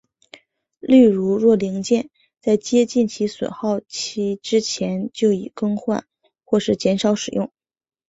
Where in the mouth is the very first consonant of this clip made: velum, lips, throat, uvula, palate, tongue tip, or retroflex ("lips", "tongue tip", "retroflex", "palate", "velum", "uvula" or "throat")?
tongue tip